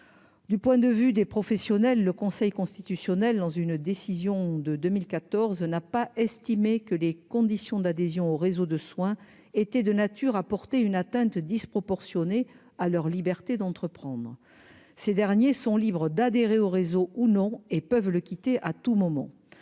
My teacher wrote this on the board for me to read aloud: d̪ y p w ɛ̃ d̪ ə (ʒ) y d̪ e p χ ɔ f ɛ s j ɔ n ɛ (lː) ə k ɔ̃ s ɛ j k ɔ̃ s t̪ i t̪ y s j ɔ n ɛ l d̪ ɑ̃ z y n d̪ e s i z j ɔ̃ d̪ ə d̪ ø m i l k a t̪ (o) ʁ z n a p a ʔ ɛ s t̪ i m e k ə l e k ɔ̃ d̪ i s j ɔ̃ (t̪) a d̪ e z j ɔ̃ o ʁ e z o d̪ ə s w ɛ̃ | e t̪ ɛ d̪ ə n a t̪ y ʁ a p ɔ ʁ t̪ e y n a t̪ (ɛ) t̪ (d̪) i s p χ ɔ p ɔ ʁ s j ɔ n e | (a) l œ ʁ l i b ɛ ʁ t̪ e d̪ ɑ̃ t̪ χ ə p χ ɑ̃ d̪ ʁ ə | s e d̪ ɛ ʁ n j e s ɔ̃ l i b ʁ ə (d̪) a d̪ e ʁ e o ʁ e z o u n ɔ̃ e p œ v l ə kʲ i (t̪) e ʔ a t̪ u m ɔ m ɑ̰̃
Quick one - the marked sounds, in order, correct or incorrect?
incorrect, correct, incorrect, incorrect, incorrect, correct, correct, correct, correct

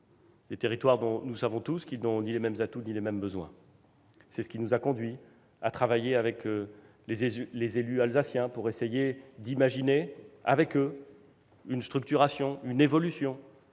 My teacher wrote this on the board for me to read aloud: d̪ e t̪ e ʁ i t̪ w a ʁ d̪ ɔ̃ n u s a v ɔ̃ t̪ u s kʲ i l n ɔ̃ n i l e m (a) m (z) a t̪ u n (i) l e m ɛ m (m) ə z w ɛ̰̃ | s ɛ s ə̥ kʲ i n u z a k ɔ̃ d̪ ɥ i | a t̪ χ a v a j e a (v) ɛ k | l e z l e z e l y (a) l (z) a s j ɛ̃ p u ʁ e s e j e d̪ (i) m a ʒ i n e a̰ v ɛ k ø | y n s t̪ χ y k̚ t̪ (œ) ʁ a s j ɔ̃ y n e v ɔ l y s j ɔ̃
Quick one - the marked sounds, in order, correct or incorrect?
incorrect, correct, correct, incorrect, correct, correct, correct, correct, incorrect

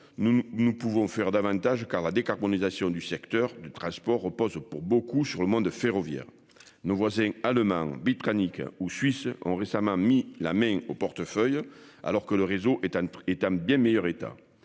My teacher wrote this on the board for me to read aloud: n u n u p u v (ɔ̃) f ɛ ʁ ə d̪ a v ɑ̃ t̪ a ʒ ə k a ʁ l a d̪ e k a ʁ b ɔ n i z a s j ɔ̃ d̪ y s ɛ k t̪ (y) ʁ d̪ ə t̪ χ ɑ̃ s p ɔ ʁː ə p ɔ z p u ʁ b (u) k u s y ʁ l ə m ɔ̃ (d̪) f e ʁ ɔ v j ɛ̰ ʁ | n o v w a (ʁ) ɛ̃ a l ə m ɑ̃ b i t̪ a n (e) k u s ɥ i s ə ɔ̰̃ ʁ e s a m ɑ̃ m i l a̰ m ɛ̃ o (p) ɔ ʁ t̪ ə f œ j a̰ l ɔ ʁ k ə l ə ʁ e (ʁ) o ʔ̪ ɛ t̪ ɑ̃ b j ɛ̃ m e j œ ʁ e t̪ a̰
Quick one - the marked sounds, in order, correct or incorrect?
correct, incorrect, incorrect, correct, incorrect, incorrect, correct, incorrect

